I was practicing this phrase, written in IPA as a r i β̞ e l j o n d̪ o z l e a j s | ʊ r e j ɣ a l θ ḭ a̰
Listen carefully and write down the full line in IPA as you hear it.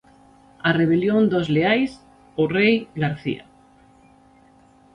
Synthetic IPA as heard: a r e β̞ e l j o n d̪ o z l e a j s | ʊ r e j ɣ a ɾ θ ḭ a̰